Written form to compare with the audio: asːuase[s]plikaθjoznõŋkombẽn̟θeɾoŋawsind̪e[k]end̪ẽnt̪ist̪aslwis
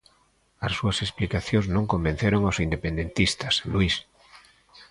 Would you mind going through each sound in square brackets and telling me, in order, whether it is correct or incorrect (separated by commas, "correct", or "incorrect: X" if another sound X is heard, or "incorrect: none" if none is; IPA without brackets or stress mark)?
correct, incorrect: p